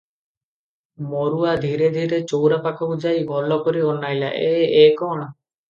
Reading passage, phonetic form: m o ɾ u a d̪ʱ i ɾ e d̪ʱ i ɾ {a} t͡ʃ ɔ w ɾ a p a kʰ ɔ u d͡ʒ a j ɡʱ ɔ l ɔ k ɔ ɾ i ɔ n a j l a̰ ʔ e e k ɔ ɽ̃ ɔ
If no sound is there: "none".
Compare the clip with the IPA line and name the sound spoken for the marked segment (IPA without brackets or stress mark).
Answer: e